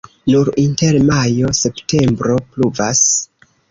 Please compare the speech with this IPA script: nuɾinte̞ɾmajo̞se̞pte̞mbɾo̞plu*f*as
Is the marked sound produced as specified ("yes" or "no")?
no